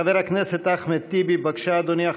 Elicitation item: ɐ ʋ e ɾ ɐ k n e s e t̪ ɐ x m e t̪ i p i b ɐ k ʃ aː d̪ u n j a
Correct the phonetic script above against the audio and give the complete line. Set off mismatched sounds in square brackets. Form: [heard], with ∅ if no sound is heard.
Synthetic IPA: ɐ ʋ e ɾ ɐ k n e s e t̪ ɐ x m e t̪ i [b] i b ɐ k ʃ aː d̪ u n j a